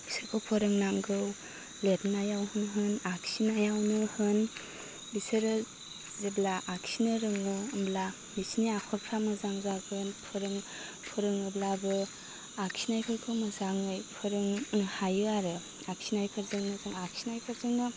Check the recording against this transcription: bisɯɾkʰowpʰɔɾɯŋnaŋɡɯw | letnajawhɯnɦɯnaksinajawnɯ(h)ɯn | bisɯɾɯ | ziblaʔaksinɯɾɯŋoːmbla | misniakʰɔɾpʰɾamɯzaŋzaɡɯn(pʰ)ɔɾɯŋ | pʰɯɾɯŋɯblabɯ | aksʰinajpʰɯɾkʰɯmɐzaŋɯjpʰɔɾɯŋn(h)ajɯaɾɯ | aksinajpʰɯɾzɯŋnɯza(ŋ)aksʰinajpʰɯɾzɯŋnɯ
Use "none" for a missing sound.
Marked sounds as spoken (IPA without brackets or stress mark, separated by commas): h, pʰ, h, ŋ